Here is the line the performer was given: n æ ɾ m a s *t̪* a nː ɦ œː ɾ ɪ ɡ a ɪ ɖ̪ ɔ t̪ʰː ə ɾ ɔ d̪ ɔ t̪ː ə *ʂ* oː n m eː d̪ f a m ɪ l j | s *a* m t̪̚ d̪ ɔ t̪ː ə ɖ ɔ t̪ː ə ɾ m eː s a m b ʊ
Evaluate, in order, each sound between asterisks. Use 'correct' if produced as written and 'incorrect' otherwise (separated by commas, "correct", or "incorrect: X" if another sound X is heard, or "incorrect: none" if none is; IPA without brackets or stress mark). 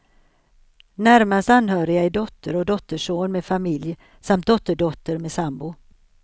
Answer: correct, correct, correct